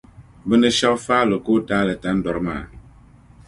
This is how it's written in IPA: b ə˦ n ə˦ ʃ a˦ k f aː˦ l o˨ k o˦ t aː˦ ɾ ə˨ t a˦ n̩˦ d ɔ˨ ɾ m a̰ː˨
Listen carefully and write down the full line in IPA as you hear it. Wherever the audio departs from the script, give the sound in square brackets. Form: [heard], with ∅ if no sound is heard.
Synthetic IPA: b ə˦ n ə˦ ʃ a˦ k f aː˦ l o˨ k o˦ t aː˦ [l] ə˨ t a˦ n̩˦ d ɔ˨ ɾ m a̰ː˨